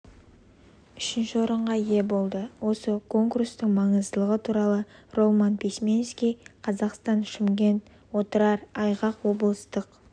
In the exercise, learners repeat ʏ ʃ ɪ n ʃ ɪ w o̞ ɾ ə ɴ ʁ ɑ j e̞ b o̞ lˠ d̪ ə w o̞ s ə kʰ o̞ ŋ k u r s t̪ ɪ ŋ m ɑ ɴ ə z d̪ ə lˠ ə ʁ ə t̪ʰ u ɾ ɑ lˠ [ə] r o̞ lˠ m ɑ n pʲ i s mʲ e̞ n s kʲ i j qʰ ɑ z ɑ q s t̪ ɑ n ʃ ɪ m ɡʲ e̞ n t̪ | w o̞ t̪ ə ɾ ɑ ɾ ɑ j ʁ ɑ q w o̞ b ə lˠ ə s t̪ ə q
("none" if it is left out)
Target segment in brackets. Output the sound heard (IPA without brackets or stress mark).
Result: ə